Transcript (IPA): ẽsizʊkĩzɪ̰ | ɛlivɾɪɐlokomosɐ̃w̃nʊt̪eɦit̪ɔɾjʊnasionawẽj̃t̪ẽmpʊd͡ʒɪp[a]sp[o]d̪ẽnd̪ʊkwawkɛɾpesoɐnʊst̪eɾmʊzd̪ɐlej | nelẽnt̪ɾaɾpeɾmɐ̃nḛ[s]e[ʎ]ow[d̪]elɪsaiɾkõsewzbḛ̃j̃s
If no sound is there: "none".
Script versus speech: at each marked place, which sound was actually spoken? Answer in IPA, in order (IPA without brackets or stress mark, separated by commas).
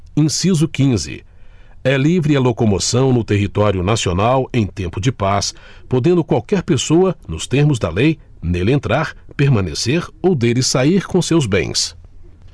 a, o, s, ɾ, d̪